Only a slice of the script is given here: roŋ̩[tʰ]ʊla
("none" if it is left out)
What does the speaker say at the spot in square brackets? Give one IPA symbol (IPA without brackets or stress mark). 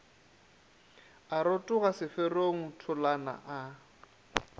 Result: tʰ